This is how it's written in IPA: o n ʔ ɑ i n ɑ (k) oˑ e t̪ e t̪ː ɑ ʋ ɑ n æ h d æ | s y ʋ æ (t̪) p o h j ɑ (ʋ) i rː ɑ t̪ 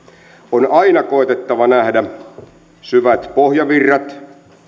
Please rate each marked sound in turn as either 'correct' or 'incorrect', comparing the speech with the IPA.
correct, correct, correct

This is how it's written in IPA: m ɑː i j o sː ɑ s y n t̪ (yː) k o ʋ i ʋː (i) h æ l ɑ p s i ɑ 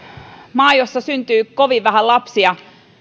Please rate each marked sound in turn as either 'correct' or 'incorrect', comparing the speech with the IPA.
correct, incorrect: æ

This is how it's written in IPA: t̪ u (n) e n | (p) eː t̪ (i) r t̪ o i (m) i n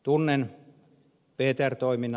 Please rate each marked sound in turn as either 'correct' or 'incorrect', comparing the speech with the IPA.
incorrect: nː, correct, incorrect: æ, correct

